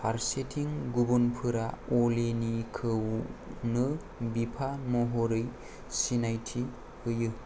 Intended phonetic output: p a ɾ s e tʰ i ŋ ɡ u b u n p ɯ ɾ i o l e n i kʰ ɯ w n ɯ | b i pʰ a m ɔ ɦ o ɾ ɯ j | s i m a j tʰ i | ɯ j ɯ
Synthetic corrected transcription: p a ɾ s e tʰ i ŋ ɡ u b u n pʰ ɯ ɾ a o l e n i kʰ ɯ w n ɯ | b i pʰ a m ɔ ɦ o ɾ ɯ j | s i n a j tʰ i | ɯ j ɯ